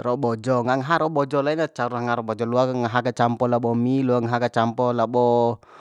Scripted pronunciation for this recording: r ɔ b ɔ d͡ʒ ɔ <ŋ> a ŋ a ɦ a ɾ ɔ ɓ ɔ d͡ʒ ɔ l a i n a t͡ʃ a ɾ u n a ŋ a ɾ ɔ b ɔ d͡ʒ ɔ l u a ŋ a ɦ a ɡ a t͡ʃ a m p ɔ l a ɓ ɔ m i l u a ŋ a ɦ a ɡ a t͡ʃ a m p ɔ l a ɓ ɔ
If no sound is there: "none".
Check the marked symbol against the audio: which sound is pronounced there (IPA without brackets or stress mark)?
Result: ŋ